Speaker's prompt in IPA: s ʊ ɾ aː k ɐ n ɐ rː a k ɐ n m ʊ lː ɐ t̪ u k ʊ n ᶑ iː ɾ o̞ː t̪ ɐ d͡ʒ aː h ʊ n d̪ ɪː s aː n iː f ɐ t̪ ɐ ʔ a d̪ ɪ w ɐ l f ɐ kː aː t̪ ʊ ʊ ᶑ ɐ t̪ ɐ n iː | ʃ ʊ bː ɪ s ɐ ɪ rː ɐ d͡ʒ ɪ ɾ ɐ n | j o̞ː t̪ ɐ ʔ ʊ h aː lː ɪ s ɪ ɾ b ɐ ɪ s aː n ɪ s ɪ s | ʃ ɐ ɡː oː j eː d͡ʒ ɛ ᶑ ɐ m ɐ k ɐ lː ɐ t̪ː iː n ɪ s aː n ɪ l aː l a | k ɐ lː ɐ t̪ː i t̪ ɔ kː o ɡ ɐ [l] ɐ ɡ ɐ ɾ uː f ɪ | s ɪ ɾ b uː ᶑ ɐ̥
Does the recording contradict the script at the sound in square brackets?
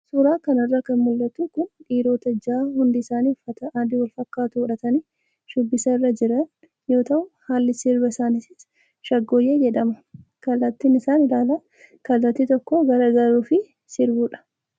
yes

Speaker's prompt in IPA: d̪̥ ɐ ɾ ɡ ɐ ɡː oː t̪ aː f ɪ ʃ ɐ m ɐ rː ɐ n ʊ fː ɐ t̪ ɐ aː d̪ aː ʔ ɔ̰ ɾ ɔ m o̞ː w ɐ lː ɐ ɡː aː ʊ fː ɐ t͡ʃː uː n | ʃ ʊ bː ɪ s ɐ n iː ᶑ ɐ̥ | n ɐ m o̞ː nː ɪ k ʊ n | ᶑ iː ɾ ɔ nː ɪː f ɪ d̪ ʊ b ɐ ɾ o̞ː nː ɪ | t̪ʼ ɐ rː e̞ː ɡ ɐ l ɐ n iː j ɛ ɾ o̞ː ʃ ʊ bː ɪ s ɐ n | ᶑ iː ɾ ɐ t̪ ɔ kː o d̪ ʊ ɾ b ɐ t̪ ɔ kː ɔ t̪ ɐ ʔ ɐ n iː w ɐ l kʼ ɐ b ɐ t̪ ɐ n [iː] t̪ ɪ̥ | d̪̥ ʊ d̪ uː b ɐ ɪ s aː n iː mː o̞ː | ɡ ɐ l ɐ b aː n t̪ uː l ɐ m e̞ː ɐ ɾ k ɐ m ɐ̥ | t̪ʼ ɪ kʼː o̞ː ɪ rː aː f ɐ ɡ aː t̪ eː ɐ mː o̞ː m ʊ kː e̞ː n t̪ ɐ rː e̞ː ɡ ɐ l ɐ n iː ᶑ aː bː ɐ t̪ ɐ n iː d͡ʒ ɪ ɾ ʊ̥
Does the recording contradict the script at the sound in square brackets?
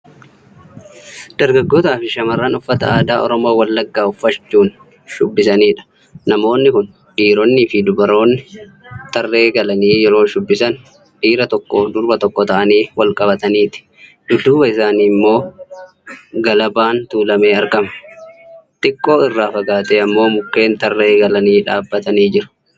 no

